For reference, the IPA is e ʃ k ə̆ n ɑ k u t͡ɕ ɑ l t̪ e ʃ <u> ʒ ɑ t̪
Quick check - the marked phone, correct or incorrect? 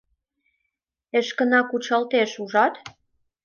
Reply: correct